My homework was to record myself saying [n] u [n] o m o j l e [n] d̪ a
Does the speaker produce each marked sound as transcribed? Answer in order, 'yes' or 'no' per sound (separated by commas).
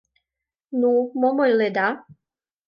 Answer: yes, no, no